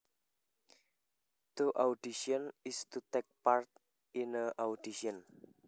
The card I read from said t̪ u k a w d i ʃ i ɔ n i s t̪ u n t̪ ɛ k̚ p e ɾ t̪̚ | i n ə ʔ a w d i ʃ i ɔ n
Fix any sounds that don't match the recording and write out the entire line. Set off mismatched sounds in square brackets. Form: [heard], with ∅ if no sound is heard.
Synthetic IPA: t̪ u [ʔ] a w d i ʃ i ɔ n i s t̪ u [∅] t̪ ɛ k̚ p [a] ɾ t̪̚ | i n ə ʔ a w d i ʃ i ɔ n